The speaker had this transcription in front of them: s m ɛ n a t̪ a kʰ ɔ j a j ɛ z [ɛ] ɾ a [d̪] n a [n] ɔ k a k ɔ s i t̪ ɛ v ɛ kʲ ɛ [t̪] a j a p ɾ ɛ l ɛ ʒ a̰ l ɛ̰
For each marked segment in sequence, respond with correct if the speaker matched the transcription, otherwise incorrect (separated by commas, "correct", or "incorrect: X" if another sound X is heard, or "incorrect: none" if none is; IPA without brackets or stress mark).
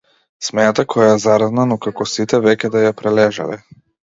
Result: incorrect: a, correct, correct, incorrect: d̪